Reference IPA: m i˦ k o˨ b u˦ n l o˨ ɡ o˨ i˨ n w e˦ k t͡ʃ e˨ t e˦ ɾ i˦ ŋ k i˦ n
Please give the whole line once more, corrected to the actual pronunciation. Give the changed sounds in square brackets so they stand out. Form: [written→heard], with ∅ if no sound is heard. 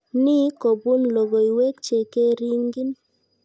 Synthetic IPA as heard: [m→n] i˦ k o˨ b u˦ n l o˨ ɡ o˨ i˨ [n→∅] w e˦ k t͡ʃ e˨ [t→k] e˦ ɾ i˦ ŋ [k→ɡ] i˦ n